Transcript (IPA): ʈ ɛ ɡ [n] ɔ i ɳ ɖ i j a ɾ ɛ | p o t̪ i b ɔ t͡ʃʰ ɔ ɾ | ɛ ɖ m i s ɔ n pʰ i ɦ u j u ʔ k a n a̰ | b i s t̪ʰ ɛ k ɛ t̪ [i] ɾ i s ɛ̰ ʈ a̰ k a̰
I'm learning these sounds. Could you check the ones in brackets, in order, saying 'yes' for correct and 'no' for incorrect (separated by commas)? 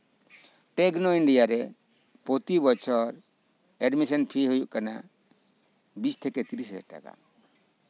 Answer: yes, yes